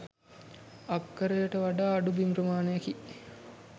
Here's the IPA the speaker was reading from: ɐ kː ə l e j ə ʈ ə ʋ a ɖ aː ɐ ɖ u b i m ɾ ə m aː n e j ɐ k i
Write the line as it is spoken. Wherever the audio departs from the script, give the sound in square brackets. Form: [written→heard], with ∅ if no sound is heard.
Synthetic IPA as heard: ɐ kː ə [l→ɾ] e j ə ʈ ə ʋ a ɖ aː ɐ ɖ u b i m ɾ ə m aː n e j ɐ k i